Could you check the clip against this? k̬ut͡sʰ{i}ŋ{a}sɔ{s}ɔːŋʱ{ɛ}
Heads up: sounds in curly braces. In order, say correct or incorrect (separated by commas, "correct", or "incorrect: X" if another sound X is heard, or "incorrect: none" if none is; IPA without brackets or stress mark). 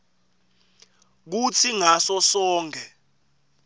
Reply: correct, correct, correct, correct